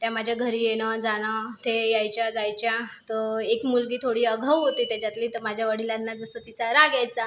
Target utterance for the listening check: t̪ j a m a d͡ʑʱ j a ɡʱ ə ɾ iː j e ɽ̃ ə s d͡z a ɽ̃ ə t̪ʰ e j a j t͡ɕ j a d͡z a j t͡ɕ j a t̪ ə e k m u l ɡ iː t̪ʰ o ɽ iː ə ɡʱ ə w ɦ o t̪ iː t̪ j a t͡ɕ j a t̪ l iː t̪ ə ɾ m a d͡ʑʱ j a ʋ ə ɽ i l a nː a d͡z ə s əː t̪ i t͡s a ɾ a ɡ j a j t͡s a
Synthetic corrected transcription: t̪ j a m a d͡ʑʱ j a ɡʱ ə ɾ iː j e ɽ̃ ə d͡z a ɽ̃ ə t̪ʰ e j a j t͡ɕ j a d͡z a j t͡ɕ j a t̪ ə e k m u l ɡ iː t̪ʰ o ɽ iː ə ɡʱ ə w ɦ o t̪ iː t̪ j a t͡ɕ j a t̪ l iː t̪ ə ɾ m a d͡ʑʱ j a ʋ ə ɽ i l a nː a d͡z ə s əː t̪ i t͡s a ɾ a ɡ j a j t͡s a